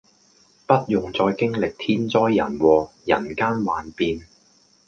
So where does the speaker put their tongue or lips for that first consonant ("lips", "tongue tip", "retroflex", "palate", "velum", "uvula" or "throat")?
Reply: lips